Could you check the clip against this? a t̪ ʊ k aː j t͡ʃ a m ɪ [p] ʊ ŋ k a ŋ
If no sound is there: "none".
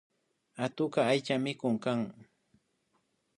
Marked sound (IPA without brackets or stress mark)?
k